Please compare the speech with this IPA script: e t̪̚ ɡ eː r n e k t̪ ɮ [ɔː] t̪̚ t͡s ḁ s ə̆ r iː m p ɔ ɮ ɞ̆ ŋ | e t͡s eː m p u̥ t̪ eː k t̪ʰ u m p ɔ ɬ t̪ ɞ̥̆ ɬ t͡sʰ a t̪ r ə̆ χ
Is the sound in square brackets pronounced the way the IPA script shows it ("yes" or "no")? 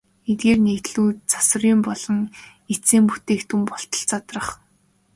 no